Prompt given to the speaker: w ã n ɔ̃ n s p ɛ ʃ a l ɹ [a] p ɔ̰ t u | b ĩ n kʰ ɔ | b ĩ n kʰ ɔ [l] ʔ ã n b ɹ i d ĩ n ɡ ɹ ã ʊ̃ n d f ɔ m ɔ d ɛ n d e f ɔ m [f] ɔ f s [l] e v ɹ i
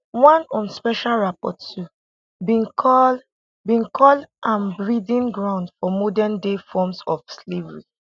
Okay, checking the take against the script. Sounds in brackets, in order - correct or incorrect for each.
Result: correct, correct, incorrect, correct

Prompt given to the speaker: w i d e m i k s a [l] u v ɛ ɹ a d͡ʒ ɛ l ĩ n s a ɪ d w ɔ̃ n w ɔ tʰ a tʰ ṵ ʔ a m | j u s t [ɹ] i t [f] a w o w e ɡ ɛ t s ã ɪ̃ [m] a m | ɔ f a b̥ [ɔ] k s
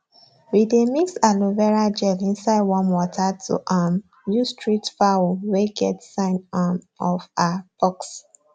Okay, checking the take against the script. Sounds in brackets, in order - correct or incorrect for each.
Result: correct, correct, correct, incorrect, correct

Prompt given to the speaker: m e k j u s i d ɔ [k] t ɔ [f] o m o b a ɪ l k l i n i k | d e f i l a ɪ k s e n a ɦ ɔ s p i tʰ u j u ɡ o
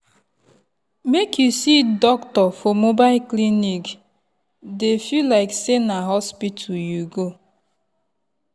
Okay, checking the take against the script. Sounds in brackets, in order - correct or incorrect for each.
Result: correct, correct

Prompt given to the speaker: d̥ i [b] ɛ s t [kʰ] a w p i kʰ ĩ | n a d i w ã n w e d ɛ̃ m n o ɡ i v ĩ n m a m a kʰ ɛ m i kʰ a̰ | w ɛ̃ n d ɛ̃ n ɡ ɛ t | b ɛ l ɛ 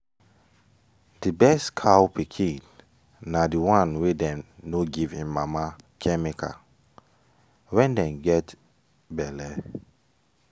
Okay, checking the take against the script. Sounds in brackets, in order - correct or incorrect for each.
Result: correct, correct

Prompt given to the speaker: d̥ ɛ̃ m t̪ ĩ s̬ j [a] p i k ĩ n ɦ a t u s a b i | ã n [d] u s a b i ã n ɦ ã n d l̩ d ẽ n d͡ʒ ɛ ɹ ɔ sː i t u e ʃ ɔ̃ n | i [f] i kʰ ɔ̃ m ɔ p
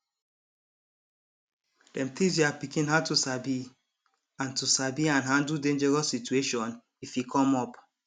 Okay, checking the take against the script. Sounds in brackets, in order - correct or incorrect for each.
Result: correct, incorrect, correct

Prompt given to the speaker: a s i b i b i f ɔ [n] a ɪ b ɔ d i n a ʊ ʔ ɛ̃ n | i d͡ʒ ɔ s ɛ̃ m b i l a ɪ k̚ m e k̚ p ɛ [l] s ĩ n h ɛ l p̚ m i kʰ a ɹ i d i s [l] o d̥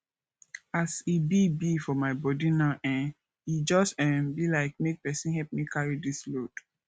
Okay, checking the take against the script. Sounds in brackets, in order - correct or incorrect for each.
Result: incorrect, incorrect, correct

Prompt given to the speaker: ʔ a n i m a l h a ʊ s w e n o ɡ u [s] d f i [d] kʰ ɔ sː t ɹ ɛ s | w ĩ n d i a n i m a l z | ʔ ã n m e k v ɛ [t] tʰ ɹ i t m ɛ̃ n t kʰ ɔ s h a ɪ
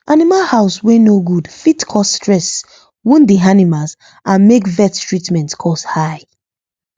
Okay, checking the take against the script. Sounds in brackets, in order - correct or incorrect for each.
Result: incorrect, incorrect, correct

